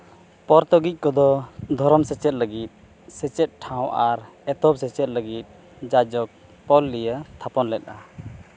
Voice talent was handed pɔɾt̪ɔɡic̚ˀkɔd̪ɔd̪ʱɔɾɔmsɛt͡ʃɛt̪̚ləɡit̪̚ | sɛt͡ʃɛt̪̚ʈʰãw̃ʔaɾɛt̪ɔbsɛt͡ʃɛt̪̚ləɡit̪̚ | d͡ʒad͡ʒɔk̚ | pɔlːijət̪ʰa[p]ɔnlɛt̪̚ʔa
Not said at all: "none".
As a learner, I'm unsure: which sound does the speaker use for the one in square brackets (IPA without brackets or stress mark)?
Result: p